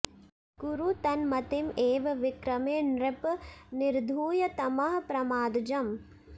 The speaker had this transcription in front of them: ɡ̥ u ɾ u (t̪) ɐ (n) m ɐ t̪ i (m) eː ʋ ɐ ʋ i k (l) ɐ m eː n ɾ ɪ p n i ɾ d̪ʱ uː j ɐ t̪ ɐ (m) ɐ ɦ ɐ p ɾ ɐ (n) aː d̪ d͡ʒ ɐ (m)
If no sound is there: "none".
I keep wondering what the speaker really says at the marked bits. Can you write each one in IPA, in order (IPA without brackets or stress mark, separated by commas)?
t̪, n, m, ɾ, m, m, m